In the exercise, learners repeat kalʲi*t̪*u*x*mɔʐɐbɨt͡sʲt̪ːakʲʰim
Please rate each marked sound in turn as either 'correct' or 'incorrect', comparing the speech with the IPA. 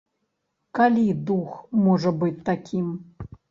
incorrect: d̪, correct

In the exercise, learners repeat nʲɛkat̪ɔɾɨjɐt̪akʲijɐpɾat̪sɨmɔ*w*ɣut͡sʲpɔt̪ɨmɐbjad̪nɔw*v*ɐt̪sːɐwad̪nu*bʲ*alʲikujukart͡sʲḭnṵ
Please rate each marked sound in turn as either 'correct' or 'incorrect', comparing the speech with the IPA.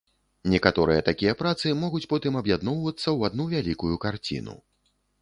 incorrect: none, correct, incorrect: vʲ

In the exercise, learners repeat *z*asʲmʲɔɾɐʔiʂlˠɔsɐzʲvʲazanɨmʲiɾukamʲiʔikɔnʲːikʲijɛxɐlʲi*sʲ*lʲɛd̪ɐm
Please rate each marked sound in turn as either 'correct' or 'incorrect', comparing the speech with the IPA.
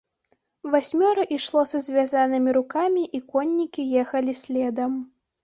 incorrect: v, correct

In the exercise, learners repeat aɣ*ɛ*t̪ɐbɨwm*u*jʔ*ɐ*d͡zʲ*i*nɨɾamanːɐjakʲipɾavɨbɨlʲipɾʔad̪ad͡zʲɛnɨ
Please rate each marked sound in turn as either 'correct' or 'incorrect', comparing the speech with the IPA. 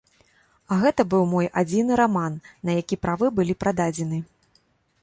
correct, incorrect: ɔ, incorrect: a, correct

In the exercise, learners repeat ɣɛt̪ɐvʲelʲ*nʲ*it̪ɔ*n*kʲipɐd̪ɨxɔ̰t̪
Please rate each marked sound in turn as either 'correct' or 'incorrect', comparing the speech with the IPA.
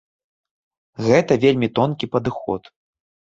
incorrect: mʲ, correct

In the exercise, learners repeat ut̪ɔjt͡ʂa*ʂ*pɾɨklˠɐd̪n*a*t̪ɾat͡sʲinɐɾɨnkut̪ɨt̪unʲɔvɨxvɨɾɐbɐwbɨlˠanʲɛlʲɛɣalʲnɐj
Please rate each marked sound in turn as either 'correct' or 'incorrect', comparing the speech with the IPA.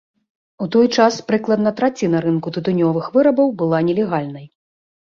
incorrect: s, incorrect: ɐ

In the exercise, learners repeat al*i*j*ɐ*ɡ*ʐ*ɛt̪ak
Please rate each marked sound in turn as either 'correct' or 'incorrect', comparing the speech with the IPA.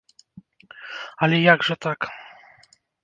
incorrect: ɛ, incorrect: a, correct

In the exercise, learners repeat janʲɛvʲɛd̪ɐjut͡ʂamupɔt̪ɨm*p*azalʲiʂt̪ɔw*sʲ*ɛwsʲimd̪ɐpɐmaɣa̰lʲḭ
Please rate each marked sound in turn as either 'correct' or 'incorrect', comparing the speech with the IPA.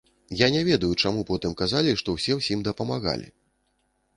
incorrect: k, correct

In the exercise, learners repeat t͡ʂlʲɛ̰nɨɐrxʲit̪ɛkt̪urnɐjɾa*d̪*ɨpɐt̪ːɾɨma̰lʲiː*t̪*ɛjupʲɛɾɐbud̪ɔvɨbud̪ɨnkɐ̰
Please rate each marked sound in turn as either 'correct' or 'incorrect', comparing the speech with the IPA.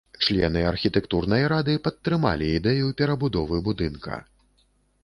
correct, incorrect: d̪

